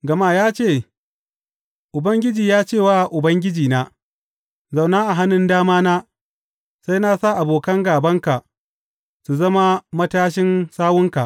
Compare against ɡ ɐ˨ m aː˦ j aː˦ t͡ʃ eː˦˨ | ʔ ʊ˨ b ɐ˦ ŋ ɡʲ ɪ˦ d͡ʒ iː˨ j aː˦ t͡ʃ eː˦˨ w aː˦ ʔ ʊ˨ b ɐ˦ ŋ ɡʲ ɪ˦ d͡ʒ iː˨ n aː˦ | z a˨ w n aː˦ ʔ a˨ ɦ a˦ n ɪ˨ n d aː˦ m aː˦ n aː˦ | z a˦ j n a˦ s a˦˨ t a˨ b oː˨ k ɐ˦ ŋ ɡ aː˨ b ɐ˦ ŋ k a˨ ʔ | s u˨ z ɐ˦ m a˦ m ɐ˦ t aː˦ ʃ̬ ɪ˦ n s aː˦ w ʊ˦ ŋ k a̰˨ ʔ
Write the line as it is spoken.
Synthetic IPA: ɡ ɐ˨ m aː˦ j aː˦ t͡ʃ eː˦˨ | ʔ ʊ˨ b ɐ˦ ŋ ɡʲ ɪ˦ d͡ʒ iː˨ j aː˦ t͡ʃ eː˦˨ w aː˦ ʔ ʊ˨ b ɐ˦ ŋ ɡʲ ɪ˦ d͡ʒ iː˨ n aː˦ | z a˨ w n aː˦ ʔ a˨ ɦ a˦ n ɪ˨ n d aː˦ m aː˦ n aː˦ | s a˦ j n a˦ s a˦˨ ʔ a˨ b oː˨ k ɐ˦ ŋ ɡ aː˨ b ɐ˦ ŋ k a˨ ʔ | s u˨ z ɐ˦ m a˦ m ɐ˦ t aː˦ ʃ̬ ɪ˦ n s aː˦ w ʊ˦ ŋ k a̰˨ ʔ

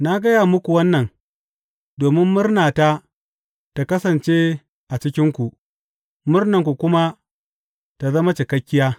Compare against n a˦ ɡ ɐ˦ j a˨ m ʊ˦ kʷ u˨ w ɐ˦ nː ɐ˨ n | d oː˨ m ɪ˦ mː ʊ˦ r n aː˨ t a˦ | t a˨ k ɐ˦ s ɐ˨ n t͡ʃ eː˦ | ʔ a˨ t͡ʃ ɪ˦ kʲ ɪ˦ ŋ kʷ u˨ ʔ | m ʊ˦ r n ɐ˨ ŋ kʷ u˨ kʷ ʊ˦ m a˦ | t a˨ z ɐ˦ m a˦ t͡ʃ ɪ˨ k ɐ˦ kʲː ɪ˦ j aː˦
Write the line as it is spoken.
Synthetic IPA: n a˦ ɡ ɐ˦ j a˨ m ʊ˦ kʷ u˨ w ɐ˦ nː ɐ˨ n | d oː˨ m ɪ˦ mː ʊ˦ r n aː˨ t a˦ | t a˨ k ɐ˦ s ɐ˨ n t͡ʃ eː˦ | ʔ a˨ t͡ʃ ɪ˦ kʲ ɪ˦ ŋ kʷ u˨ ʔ | m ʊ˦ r n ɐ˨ ŋ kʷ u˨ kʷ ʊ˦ m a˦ | t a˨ z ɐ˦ m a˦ t͡ʃ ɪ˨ k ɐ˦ kʲː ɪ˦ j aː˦

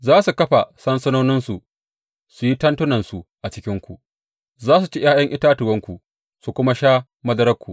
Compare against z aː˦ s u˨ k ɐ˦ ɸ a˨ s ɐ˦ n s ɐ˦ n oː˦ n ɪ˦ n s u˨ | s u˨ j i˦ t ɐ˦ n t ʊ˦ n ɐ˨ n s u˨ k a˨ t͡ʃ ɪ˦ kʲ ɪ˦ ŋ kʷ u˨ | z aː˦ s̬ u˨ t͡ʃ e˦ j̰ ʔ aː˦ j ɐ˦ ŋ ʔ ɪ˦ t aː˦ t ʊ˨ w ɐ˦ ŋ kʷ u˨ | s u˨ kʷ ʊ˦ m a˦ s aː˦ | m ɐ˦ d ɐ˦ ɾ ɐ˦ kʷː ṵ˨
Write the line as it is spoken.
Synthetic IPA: z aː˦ s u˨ k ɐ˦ ɸ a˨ s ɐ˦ n s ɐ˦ n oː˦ n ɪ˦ n s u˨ | s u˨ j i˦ t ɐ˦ n t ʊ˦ n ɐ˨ n s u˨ ʔ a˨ t͡ʃ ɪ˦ kʲ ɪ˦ ŋ kʷ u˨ | z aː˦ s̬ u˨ t͡ʃ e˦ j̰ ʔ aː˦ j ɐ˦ ŋ ʔ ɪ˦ t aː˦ t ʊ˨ w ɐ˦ ŋ kʷ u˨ | s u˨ kʷ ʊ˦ m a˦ ʃ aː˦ | m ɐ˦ d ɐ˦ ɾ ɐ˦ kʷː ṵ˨

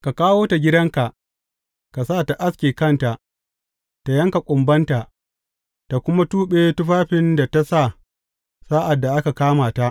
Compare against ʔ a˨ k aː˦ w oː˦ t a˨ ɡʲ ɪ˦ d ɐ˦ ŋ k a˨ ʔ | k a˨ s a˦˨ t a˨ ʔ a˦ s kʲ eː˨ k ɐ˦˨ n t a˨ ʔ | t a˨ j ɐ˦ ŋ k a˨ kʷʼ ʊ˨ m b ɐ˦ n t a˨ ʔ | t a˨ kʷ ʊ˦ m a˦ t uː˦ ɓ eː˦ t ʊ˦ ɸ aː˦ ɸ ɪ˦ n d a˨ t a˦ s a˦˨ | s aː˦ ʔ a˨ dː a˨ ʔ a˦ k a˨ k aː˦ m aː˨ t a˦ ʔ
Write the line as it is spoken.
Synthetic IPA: k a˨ k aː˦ w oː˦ t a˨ ɡʲ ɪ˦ d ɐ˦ ŋ k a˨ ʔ | k a˨ s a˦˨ t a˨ ʔ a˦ s kʲ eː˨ k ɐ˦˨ n t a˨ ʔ | t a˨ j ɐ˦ ŋ k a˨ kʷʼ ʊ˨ m b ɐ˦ n t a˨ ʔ | t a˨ kʷ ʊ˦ m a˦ t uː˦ ɓ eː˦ t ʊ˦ ɸ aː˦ ɸ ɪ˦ n d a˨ t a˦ s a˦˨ | s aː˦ ʔ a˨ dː a˨ ʔ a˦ k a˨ k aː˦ m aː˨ t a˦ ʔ

